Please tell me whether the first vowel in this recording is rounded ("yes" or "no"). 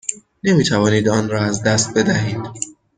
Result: no